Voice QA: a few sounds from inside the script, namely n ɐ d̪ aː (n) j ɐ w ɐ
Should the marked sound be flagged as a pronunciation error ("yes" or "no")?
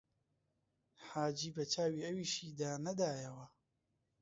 yes